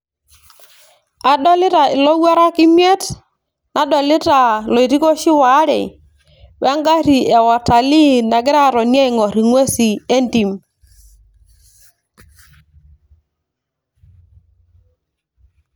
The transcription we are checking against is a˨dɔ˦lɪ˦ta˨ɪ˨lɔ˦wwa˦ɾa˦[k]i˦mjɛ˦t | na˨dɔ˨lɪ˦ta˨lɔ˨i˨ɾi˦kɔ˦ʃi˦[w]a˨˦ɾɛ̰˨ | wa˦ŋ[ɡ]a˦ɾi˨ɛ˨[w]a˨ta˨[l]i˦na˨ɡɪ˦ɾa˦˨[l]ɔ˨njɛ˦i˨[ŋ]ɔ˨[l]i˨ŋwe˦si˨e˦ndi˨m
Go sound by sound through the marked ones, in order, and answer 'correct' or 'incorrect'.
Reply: correct, correct, correct, correct, correct, incorrect: ɾ, correct, incorrect: ɾ

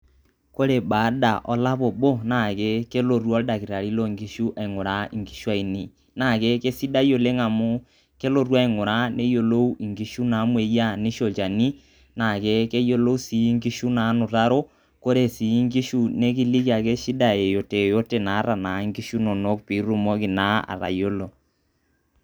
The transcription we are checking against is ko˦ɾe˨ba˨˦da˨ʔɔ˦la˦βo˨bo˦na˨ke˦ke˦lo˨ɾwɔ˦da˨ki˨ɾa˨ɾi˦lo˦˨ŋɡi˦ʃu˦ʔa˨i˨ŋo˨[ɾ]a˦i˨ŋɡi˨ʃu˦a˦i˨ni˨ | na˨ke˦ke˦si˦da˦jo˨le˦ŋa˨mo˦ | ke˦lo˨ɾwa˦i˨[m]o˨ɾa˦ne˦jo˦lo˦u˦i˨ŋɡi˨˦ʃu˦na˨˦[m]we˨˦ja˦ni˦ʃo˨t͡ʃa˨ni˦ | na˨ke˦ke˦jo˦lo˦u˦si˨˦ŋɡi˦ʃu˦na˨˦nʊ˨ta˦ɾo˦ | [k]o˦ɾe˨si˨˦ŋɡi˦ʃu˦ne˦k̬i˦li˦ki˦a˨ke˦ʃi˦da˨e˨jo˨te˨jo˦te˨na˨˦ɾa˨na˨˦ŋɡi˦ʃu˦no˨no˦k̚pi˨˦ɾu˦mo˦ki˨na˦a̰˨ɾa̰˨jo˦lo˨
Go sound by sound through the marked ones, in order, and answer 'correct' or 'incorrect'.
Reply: correct, incorrect: ŋ, correct, correct

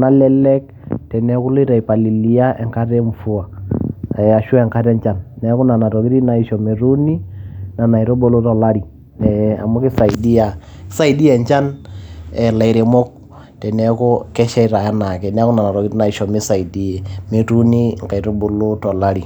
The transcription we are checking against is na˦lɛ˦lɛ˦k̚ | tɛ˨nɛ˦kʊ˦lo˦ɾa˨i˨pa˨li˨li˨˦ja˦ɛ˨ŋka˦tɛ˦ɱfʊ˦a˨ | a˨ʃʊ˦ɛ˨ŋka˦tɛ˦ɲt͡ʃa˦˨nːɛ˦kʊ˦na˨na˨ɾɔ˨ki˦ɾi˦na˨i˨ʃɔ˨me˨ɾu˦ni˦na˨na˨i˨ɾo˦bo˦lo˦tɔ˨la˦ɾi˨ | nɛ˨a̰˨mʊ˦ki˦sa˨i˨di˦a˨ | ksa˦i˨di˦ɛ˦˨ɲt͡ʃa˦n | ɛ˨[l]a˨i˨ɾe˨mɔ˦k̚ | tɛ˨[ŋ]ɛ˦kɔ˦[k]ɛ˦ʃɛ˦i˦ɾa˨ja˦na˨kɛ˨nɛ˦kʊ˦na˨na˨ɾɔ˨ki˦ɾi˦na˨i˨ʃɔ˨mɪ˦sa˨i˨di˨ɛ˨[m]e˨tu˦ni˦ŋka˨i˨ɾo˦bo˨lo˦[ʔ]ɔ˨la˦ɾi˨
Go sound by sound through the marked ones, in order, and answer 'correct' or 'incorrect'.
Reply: correct, incorrect: n, correct, correct, incorrect: t

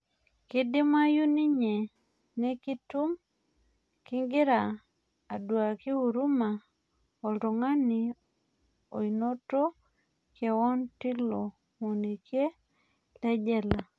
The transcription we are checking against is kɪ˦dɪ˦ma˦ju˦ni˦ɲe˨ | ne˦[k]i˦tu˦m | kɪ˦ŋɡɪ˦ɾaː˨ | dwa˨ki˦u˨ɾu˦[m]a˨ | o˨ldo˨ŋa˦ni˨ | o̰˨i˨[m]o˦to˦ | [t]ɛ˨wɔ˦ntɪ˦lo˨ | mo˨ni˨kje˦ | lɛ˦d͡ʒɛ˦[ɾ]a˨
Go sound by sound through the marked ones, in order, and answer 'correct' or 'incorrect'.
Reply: correct, correct, incorrect: n, incorrect: k, incorrect: l

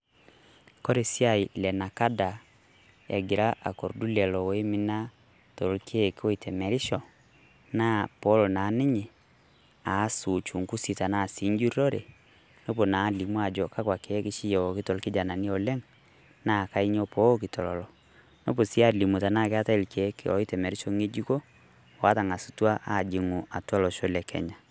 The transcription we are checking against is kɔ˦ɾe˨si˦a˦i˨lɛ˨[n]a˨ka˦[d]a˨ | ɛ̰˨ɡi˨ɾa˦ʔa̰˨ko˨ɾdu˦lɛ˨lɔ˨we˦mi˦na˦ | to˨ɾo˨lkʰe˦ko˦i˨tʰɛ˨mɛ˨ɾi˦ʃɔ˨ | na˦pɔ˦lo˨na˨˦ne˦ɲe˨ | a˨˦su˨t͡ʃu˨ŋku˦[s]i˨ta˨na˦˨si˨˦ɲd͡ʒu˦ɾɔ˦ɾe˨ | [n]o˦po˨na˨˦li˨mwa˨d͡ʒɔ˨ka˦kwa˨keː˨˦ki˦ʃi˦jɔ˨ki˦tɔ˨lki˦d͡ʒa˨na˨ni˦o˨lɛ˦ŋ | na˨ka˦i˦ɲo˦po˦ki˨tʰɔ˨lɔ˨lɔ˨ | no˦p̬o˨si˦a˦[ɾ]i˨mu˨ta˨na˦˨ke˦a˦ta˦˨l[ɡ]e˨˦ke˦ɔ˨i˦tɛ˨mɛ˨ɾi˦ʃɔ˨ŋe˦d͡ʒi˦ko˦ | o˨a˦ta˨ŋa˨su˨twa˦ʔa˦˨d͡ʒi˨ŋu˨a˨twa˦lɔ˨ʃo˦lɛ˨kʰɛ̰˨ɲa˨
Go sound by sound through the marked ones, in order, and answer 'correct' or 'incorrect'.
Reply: correct, correct, correct, correct, incorrect: l, incorrect: k

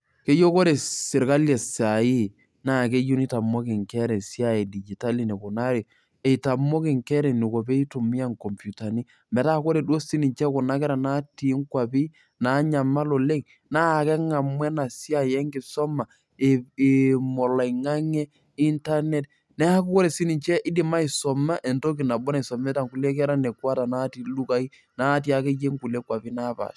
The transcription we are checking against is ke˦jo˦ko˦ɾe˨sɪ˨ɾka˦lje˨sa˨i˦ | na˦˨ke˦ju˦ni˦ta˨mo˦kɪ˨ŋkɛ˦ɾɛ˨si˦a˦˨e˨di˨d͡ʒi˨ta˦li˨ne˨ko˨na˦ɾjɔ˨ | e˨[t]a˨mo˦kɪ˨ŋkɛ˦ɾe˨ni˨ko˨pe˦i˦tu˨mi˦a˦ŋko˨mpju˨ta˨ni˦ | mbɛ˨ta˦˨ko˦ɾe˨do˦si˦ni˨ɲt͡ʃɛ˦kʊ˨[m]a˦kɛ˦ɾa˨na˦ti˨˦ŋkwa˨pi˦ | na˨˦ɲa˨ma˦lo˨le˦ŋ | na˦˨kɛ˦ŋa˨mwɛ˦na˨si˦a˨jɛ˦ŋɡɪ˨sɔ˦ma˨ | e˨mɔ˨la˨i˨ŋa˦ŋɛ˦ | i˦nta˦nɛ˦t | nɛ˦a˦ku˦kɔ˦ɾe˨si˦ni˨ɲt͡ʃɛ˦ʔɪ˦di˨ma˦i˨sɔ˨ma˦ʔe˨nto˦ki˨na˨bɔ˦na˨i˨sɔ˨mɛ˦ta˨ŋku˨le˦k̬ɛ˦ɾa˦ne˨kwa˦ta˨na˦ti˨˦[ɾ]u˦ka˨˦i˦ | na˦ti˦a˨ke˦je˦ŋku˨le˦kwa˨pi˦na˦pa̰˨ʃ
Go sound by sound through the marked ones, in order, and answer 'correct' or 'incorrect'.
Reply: correct, incorrect: n, incorrect: l

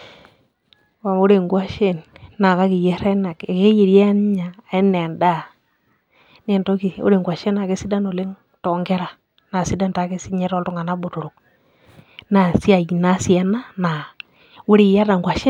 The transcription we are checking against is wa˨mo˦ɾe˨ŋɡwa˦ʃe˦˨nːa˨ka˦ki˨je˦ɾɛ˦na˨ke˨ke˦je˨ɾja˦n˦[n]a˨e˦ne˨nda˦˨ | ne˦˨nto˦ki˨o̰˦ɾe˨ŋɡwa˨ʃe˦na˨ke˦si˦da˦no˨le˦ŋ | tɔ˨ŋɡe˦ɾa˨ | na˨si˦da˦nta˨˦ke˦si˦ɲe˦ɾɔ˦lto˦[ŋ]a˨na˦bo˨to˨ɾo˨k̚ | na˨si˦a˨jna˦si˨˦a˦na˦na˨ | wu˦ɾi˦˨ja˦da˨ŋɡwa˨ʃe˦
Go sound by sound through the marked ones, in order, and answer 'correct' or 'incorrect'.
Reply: incorrect: ɲ, correct

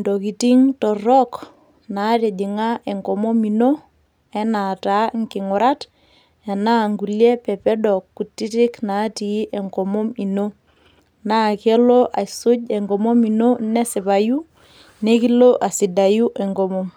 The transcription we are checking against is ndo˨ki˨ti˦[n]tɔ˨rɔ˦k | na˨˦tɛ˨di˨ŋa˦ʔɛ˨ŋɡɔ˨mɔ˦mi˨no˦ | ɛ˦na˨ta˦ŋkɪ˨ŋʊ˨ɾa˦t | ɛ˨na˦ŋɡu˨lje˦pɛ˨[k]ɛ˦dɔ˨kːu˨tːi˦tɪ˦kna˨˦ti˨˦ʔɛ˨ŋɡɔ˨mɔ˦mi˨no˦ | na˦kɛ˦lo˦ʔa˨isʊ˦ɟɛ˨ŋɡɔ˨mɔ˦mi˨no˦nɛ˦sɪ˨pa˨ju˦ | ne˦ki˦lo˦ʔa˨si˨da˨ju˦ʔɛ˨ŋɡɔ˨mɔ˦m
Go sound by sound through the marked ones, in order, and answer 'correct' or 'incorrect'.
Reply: incorrect: ŋ, incorrect: p

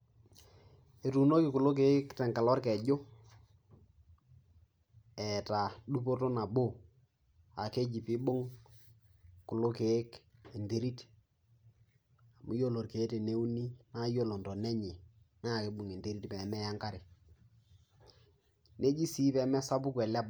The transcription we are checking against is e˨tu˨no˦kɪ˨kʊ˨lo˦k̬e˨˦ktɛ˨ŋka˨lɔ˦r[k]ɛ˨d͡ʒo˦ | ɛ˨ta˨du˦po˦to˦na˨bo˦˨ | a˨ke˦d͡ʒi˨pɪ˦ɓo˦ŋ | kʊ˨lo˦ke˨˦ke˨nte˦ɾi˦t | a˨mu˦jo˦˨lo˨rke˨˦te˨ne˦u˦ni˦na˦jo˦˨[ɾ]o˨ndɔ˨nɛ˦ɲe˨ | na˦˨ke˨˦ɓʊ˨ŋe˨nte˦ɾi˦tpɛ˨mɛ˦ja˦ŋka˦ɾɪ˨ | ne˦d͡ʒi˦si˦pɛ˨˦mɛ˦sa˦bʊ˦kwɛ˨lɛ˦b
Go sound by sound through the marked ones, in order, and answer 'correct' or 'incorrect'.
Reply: correct, incorrect: l

